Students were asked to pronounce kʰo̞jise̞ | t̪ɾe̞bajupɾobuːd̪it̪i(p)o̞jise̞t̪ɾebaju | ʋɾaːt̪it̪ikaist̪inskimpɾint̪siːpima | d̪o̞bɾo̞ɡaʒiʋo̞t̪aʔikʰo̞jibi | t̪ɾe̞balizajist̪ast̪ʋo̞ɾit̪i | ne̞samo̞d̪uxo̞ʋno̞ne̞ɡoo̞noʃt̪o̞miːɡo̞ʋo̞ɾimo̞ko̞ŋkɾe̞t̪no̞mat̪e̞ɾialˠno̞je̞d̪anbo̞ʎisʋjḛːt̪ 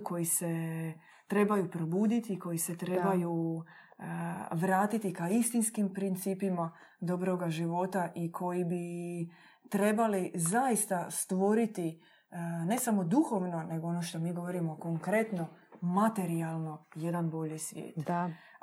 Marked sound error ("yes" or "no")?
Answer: yes